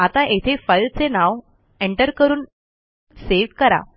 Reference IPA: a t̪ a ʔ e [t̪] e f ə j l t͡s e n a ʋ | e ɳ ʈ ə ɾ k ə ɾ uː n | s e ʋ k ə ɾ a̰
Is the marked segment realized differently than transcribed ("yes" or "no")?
yes